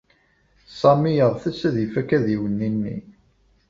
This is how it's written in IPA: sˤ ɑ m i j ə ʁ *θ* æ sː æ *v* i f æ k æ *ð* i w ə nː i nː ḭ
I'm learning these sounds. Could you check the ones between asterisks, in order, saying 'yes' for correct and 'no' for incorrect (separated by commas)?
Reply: yes, no, yes